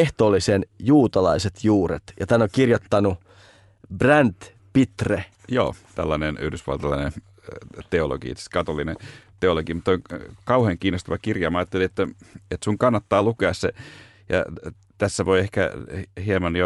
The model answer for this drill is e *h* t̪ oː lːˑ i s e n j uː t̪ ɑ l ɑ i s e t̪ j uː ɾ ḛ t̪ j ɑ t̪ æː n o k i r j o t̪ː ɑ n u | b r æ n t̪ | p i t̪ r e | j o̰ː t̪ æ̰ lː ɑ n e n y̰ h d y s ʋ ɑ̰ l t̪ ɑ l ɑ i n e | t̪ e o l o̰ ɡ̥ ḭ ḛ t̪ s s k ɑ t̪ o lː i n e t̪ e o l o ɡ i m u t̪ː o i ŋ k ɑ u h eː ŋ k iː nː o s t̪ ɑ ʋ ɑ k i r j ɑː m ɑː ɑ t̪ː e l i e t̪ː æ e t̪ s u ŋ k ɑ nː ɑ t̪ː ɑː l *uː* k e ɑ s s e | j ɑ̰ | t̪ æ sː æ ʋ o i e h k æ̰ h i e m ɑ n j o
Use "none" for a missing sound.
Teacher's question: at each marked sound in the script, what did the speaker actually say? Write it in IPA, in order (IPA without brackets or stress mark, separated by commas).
h, u